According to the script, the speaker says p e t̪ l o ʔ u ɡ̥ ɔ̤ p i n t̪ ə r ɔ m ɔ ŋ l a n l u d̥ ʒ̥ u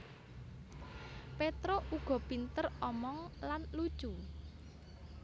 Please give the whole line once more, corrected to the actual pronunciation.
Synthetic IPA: p e t̪ ɾ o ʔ u ɡ̥ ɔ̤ p i n t̪ ə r ɔ m ɔ ŋ l a n l u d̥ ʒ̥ u